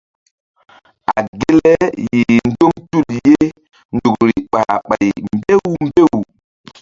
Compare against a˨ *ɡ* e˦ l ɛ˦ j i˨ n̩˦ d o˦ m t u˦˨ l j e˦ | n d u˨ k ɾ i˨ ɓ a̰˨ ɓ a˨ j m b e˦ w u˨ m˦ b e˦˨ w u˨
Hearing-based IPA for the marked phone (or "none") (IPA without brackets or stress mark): ɡ